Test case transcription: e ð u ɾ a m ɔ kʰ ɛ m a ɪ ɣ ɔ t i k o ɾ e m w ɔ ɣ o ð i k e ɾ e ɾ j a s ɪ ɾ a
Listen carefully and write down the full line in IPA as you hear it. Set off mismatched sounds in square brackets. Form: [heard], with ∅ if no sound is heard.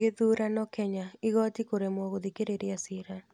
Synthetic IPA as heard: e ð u ɾ a [n] ɔ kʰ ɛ [ɲ] a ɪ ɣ ɔ t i k o ɾ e m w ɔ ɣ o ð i k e ɾ e ɾ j a s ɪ ɾ a